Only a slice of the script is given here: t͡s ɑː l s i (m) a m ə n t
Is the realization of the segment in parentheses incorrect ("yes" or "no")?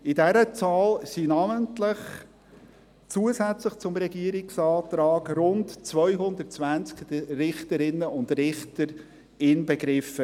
yes